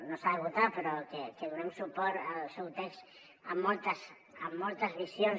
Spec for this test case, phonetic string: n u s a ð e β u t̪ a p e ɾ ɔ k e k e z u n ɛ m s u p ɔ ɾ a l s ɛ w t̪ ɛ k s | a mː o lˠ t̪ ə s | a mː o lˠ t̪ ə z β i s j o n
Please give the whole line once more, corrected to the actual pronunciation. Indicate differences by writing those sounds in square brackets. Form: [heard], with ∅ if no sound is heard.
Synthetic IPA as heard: n [o] s a ð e β u t̪ a p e ɾ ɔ k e k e [ð] u n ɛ m s u p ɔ ɾ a l s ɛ w t̪ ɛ k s | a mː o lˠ t̪ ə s | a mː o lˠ t̪ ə z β i s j o n